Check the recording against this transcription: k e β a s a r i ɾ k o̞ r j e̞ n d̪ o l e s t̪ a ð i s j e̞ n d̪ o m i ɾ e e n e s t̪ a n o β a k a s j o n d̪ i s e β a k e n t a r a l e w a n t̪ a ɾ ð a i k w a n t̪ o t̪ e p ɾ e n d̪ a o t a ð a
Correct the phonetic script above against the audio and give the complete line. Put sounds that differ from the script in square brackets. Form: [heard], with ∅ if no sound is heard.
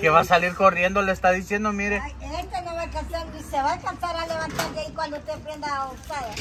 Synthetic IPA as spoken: k e β a s a [l] i ɾ k o̞ r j e̞ n d̪ o l e s t̪ a ð i s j e̞ n d̪ o m i ɾ e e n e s t̪ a n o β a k a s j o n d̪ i s e β a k [a] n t a [ɾ] a l e [β] a n t̪ a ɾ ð a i k w a n [d̪] o t̪ e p ɾ e n d̪ a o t a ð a